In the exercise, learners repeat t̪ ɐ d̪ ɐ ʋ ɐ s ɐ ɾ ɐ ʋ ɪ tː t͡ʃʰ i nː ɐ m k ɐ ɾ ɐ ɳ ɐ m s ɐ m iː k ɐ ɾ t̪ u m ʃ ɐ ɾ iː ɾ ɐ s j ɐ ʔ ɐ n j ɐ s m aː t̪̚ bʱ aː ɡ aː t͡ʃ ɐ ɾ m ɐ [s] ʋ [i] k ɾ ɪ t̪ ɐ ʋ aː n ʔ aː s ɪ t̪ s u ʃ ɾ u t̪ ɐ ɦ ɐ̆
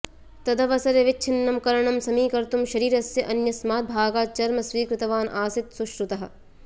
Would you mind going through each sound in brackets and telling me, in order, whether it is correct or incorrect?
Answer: correct, incorrect

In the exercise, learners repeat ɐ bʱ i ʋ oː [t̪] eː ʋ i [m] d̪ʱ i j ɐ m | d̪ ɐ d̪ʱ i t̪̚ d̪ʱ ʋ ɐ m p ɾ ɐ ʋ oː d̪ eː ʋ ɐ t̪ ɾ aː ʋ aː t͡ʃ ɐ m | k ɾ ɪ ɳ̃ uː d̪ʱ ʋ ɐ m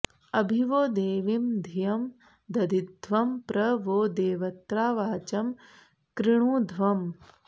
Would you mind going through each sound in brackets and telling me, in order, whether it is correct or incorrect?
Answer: incorrect, correct

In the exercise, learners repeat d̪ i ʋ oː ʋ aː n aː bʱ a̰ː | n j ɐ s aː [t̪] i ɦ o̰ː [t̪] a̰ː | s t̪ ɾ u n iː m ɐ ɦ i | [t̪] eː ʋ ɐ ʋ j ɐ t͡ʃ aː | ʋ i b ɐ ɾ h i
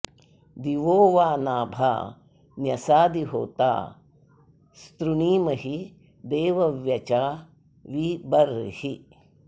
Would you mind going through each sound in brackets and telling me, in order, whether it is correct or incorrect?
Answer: incorrect, correct, incorrect

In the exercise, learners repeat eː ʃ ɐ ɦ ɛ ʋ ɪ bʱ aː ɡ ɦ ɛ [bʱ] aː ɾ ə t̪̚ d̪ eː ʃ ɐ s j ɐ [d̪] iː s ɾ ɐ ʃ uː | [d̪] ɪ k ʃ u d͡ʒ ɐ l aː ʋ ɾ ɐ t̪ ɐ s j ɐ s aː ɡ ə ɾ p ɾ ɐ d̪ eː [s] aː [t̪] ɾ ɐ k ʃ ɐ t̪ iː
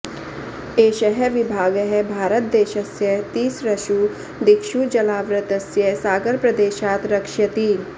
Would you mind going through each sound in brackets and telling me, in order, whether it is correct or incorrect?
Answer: correct, incorrect, correct, incorrect, correct

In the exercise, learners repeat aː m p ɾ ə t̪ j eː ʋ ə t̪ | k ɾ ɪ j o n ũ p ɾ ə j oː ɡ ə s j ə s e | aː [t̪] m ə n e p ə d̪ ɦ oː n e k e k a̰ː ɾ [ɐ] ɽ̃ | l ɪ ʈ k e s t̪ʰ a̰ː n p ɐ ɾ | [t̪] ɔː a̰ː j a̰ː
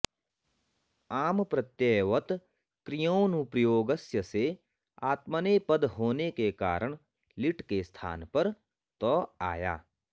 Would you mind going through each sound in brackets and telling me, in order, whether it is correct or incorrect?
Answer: correct, incorrect, correct

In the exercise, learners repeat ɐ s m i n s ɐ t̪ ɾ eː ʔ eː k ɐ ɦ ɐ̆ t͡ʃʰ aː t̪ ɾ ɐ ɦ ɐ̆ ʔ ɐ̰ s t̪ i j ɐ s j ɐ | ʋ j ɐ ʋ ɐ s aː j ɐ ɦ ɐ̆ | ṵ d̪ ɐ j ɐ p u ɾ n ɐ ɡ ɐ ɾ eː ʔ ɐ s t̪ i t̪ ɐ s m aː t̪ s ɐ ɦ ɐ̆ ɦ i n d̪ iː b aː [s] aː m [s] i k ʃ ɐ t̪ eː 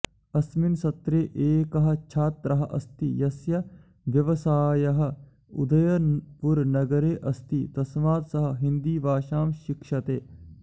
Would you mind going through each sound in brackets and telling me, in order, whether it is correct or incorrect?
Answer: incorrect, incorrect

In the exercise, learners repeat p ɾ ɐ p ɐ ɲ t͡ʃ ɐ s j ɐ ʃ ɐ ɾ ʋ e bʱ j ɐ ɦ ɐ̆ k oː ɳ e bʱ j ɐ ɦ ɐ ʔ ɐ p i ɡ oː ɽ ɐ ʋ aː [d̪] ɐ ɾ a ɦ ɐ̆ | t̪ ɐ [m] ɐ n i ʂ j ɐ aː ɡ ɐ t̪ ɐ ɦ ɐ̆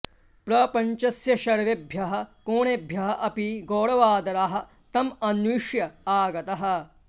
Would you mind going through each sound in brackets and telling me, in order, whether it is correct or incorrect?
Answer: correct, correct

